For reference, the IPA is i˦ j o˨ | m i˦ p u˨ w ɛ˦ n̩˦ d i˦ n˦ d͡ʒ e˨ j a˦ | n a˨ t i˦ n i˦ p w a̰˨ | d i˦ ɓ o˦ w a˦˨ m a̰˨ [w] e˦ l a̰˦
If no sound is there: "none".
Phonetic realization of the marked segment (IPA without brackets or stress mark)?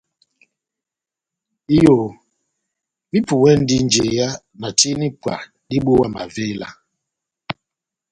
v